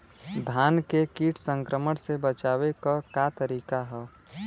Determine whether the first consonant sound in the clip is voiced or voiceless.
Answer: voiced